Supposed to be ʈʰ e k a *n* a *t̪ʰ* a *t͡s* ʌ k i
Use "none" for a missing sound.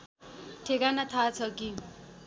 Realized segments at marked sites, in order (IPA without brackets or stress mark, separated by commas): n, t̪ʰ, t͡sʰ